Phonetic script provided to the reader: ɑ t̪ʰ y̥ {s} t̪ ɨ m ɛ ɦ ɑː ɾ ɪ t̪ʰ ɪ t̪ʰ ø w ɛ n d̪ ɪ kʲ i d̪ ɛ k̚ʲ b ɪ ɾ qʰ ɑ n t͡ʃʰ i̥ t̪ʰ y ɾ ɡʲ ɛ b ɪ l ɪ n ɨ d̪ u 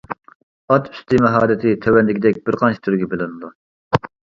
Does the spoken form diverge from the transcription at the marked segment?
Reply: no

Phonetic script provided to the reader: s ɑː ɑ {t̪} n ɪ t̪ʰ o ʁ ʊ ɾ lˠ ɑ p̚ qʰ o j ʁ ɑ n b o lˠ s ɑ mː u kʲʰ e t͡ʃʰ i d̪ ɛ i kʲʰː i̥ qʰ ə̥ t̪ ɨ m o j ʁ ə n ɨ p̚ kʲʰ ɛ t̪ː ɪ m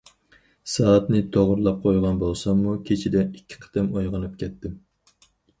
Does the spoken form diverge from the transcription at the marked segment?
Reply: no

